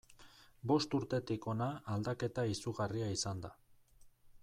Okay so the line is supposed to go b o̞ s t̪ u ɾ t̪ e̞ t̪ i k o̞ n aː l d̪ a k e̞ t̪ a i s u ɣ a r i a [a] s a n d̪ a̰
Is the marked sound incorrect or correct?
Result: incorrect